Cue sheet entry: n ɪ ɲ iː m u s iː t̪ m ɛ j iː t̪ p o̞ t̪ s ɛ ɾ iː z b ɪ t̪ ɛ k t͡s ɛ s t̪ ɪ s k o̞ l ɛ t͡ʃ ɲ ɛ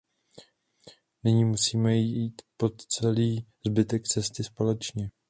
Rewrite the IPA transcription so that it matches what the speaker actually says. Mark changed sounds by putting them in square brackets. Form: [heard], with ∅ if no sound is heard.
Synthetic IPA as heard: n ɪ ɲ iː m u s iː [∅] m ɛ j iː t̪ p o̞ t̪ [t͡s] ɛ [l] iː z b ɪ t̪ ɛ k t͡s ɛ s t̪ ɪ s [p] o̞ l ɛ t͡ʃ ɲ ɛ

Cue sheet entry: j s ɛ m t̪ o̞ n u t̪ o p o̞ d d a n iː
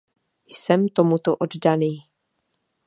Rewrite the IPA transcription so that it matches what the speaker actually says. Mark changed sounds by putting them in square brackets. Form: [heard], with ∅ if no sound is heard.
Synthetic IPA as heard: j s ɛ m t̪ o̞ [m] u t̪ o [ʔ] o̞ d d a n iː

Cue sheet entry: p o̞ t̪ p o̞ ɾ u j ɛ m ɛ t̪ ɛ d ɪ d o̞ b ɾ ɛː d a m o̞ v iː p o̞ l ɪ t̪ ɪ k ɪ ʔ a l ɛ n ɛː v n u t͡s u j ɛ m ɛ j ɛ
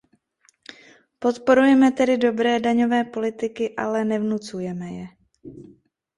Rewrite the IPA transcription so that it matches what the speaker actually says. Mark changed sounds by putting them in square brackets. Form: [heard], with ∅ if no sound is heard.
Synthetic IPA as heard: p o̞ t̪ p o̞ ɾ u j ɛ m ɛ t̪ ɛ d ɪ d o̞ b ɾ ɛː d a [ɲ] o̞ v [ɛː] p o̞ l ɪ t̪ ɪ k ɪ ʔ a l ɛ n [ɛ] v n u t͡s u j ɛ m ɛ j ɛ

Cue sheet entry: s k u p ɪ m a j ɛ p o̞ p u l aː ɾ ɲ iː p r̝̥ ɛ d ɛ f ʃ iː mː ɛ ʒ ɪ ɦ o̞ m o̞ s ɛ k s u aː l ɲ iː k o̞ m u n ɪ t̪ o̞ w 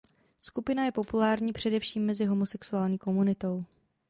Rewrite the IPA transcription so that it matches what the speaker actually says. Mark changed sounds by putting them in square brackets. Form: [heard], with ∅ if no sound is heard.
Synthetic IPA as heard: s k u p ɪ [n] a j ɛ p o̞ p u l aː ɾ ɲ iː p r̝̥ ɛ d ɛ f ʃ iː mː ɛ [z] ɪ ɦ o̞ m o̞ s ɛ k s u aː l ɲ iː k o̞ m u n ɪ t̪ o̞ w

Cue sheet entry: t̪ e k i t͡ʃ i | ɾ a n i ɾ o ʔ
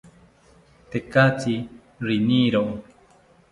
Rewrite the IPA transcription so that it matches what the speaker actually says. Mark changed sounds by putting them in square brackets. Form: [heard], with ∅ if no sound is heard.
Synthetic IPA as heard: t̪ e k [a] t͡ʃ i | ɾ [i] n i ɾ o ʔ

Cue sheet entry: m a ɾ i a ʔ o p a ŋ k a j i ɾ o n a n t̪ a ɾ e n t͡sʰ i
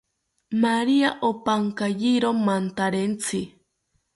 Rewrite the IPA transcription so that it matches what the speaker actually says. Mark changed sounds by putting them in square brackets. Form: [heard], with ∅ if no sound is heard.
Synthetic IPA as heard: m a ɾ i a ʔ o p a ŋ k a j i ɾ o [m] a n t̪ a ɾ e n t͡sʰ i

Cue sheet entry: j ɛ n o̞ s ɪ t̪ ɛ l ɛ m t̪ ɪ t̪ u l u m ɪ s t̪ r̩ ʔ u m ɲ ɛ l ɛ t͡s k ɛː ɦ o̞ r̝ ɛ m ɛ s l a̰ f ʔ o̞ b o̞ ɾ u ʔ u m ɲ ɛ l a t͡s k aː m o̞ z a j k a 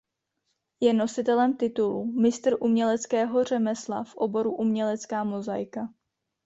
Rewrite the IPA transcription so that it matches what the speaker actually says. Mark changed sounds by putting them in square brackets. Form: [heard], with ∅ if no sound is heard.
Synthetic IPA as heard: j ɛ n o̞ s ɪ t̪ ɛ l ɛ m t̪ ɪ t̪ u l u m ɪ s t̪ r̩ ʔ u m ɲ ɛ l ɛ t͡s k ɛː ɦ o̞ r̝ ɛ m ɛ s l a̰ f ʔ o̞ b o̞ ɾ u ʔ u m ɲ ɛ l [ɛ] t͡s k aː m o̞ z a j k a

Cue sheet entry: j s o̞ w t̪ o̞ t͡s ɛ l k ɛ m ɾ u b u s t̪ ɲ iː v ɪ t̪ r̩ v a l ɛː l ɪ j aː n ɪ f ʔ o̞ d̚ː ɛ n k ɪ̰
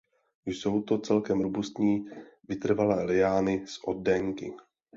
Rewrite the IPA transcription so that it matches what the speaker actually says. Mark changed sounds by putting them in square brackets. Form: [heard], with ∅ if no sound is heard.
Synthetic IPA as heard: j s o̞ w t̪ o̞ t͡s ɛ l k ɛ m ɾ u b u s t̪ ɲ iː v ɪ t̪ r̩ v a l ɛː l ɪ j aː n ɪ [s] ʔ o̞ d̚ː ɛ [ŋ] k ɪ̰

